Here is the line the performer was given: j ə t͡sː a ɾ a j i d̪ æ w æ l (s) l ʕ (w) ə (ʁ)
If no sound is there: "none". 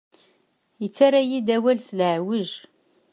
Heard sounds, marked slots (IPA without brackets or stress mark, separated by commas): s, w, ʒ